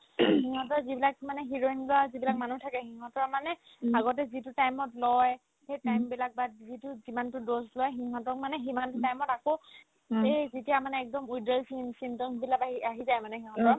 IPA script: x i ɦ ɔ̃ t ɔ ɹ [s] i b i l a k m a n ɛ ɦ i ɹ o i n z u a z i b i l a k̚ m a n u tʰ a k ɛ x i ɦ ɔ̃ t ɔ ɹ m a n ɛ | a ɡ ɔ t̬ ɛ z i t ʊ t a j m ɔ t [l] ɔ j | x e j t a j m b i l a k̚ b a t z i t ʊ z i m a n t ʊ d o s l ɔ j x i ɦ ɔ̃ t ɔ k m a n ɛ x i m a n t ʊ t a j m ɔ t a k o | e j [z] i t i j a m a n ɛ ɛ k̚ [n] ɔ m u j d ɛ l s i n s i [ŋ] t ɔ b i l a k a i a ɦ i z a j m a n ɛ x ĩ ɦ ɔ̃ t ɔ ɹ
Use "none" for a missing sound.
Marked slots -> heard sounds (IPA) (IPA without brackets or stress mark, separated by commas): z, l, z, d, n